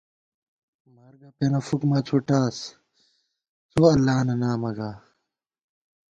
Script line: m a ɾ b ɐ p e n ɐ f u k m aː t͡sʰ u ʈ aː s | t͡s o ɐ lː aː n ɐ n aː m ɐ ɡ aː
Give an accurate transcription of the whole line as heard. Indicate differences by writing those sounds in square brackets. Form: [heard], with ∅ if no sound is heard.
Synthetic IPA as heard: m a ɾ [ɡ] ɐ p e n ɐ f u k m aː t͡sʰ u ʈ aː s | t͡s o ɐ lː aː n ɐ n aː m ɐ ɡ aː